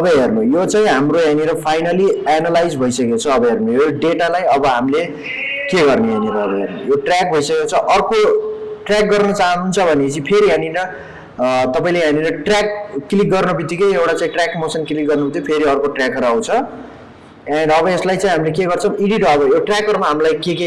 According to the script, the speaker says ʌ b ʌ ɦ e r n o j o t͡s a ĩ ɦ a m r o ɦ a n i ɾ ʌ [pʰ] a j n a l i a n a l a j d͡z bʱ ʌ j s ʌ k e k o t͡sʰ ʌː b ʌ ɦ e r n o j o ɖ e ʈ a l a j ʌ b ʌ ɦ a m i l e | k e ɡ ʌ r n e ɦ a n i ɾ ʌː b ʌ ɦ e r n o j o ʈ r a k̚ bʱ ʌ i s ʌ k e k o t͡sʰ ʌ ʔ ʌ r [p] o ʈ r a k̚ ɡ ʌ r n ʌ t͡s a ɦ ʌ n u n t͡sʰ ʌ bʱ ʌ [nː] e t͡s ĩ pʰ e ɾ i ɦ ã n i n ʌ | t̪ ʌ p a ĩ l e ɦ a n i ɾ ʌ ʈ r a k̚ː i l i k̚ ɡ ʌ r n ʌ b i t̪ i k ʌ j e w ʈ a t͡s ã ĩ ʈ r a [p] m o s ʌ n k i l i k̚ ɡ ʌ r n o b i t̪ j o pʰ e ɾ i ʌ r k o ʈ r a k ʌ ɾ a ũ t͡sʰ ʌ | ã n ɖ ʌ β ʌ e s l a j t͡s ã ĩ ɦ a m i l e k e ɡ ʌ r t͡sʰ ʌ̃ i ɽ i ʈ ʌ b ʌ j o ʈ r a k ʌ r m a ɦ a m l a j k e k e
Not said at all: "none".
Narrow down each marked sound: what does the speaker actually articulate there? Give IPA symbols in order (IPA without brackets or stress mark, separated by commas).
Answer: pʰ, k, n, k